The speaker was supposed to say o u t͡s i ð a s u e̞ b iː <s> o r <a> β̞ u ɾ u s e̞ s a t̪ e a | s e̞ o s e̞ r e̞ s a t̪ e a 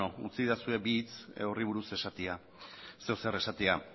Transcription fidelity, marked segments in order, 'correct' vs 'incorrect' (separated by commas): incorrect, incorrect